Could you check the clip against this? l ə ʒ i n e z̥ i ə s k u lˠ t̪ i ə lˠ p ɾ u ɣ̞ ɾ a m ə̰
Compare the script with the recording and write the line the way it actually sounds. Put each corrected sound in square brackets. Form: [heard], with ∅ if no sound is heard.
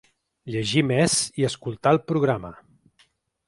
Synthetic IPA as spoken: [ʎ] ə ʒ i [m] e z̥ i ə s k u lˠ t̪ [a] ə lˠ p ɾ u ɣ̞ ɾ a m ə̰